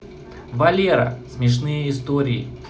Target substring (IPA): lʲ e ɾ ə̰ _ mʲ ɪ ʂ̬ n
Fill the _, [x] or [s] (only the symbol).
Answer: s